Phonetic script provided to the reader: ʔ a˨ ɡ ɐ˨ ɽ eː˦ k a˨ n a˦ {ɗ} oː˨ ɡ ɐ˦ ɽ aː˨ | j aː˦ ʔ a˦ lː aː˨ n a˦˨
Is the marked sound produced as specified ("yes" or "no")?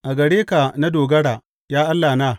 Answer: no